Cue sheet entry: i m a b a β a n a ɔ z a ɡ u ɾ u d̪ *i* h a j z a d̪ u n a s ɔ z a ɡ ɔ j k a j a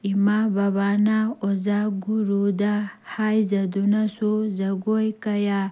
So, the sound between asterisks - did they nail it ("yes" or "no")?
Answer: no